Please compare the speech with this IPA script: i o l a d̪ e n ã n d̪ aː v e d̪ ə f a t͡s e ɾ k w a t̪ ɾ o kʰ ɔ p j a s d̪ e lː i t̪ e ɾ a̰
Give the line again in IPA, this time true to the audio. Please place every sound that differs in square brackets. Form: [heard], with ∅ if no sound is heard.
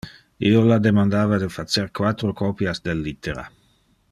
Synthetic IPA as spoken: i o l a d̪ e [m] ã n d̪ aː v [a] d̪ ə f a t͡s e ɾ k w a t̪ ɾ o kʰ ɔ p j a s d̪ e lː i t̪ e ɾ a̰